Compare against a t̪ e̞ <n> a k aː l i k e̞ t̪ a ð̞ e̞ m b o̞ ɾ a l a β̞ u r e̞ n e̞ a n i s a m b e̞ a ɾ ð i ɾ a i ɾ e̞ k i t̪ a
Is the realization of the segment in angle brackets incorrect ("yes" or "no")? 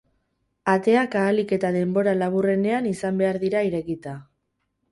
yes